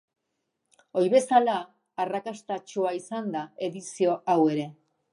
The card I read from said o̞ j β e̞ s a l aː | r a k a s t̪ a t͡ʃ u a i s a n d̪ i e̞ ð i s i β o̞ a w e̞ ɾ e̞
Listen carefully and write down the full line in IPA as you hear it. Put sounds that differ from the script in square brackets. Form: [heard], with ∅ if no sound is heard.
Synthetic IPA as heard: o̞ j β e̞ s a l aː | r a k a s t̪ a t͡ʃ u a i s a n d̪ [a] e̞ ð i s i [∅] o̞ a w e̞ ɾ e̞